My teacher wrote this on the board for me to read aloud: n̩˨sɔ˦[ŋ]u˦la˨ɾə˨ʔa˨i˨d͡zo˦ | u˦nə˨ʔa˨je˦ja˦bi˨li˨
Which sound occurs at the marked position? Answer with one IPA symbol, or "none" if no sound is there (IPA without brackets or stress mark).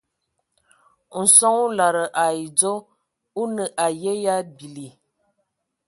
ŋ